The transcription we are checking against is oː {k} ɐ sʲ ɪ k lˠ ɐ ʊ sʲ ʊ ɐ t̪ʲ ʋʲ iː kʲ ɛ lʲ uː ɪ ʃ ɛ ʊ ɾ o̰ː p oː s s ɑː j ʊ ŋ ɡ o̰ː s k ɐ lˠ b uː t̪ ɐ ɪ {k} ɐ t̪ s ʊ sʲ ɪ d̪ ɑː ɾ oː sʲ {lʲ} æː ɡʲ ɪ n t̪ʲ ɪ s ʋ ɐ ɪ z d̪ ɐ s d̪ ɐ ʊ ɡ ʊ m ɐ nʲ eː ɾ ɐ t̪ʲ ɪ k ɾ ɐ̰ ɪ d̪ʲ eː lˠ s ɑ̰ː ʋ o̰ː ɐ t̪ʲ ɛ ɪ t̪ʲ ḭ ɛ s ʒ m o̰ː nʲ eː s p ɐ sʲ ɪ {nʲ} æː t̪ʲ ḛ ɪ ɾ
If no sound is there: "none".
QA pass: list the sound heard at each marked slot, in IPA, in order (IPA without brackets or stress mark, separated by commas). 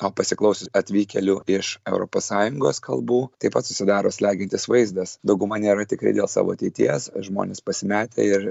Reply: p, p, lʲ, mʲ